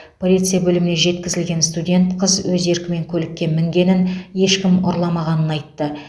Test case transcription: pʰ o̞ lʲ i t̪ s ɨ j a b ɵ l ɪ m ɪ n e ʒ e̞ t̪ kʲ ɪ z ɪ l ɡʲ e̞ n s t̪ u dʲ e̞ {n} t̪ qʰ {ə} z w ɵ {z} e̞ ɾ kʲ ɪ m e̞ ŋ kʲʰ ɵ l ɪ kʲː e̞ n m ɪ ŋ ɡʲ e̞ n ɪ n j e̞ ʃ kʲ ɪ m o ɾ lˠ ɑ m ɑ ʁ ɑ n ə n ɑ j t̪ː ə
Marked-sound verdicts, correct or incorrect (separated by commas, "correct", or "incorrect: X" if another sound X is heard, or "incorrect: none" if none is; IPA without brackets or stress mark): correct, correct, correct